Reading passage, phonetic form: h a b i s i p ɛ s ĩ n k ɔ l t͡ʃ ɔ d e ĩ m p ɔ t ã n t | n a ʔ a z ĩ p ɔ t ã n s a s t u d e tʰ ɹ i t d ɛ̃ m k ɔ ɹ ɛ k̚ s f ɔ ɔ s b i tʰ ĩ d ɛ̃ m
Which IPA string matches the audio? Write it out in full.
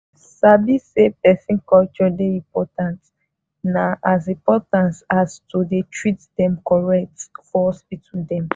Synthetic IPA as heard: s a b i s e p ɛ s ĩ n k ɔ l t͡ʃ ɔ d e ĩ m p ɔ t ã n t | n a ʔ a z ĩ p ɔ t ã n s a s t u d e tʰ ɹ i t d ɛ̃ m k ɔ ɹ ɛ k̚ t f ɔ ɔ s b i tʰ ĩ d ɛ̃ m